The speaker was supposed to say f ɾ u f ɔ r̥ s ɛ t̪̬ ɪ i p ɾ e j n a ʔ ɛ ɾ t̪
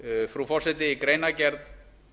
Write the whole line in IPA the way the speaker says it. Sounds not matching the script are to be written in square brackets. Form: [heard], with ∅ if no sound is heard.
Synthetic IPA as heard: f ɾ u f ɔ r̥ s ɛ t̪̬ ɪ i [k] ɾ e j n a [c] ɛ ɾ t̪